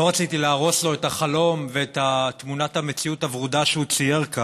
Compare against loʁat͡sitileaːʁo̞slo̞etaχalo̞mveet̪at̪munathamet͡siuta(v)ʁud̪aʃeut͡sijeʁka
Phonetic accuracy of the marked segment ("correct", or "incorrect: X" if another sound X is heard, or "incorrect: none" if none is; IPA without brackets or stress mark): correct